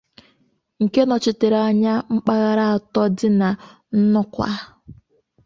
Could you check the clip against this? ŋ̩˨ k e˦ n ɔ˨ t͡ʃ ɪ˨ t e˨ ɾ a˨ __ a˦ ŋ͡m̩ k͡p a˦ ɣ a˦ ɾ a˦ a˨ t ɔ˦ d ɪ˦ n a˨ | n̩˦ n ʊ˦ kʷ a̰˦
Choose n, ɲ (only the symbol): ɲ